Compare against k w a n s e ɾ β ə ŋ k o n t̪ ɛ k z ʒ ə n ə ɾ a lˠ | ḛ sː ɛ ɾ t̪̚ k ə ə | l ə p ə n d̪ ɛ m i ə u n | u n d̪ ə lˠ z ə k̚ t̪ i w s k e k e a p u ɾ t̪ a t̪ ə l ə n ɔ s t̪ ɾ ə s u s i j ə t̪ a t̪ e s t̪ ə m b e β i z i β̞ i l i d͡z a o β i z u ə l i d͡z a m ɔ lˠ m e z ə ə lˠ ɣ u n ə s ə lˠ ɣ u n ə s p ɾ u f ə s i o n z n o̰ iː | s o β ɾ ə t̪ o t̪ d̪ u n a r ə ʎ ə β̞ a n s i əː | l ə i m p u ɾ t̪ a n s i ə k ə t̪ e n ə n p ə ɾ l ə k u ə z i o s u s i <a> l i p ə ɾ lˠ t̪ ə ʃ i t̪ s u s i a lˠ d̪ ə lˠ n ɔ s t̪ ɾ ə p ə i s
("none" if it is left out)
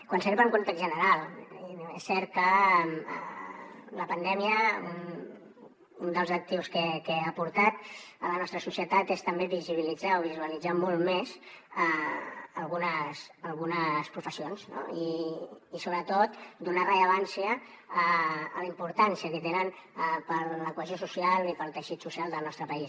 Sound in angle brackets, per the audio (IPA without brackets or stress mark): a